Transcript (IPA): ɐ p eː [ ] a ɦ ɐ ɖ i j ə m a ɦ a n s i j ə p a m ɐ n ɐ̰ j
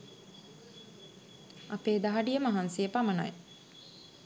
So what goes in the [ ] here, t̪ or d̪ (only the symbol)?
d̪